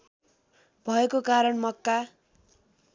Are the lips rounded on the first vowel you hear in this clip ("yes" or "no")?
no